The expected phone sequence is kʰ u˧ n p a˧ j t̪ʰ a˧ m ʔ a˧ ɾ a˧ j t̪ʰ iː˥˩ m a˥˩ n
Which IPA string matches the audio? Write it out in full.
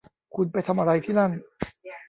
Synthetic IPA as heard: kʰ u˧ n p a˧ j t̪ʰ a˧ m ʔ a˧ ɾ a˧ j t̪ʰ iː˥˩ n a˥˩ n